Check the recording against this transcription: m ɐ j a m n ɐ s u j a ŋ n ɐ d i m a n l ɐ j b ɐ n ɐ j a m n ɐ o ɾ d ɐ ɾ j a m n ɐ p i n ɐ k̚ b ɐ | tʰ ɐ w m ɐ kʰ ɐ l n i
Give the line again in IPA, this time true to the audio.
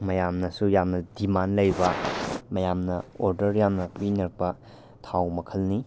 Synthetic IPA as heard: m ɐ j a m n ɐ s u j a m n ɐ d i m a n l ɐ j b ɐ m ɐ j a m n ɐ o ɾ d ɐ ɾ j a m n ɐ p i n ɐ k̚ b ɐ | tʰ a w m ɐ kʰ ɐ l n i